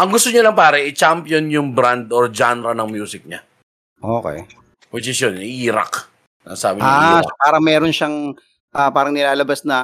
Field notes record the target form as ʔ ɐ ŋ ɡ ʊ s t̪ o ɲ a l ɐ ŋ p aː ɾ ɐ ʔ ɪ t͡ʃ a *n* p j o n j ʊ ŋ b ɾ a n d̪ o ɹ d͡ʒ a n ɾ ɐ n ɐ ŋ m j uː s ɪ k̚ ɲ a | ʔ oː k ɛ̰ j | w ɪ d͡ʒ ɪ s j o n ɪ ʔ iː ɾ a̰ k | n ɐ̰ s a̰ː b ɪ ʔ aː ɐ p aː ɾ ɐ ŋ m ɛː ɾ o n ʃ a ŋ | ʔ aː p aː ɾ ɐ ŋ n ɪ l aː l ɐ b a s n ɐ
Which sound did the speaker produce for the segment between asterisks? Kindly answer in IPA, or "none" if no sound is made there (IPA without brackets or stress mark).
m